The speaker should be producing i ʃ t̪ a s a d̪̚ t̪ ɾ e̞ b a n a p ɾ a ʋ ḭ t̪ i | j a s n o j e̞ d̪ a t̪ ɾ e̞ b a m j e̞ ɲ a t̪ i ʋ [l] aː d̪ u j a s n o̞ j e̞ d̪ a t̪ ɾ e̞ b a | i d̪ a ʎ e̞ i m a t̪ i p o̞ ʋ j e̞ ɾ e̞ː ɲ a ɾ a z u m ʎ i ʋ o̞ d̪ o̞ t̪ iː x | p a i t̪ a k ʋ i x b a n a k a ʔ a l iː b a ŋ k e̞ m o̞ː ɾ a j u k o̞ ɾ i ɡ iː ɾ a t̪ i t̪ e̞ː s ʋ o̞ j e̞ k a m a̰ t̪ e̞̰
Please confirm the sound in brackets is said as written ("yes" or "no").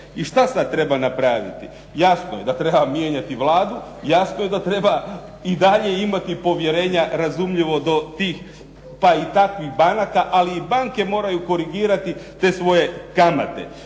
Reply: yes